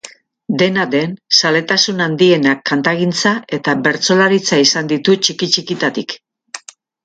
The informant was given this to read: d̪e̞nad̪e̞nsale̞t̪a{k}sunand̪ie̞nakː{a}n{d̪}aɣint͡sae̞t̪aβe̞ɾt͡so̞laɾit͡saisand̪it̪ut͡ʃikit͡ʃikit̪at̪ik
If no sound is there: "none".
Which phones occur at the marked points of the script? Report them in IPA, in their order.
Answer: none, a, t̪

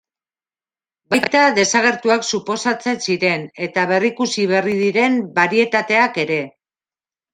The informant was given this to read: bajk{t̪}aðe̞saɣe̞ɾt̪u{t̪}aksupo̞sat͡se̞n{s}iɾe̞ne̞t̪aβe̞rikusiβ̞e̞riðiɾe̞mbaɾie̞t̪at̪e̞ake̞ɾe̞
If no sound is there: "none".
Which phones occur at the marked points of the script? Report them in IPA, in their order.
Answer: t̪, none, s

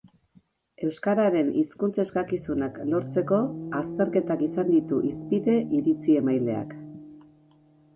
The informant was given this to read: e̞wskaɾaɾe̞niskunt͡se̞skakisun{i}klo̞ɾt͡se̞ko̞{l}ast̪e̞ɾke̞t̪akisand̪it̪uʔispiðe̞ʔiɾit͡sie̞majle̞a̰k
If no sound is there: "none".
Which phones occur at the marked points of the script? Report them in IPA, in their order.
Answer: a, none

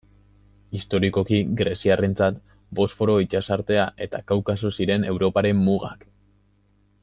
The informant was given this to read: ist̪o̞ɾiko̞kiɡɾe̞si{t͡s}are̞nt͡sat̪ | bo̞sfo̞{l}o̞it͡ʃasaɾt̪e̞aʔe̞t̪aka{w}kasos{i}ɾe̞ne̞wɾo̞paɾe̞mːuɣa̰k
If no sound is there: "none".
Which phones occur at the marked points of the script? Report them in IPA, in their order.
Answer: none, ɾ, w, i

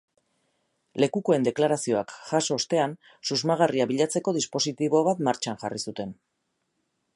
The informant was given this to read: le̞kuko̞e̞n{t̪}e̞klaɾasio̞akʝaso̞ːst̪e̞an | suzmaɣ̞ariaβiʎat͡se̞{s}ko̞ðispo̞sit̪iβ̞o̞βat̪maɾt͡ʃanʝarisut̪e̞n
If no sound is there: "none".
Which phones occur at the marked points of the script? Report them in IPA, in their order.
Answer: d̪, none

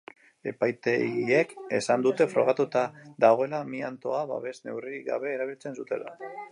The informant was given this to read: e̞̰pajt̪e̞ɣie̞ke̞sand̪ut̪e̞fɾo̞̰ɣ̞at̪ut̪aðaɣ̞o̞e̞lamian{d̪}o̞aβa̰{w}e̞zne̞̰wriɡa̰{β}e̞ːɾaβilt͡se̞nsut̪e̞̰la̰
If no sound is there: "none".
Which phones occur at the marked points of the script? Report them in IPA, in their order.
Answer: t̪, β, β

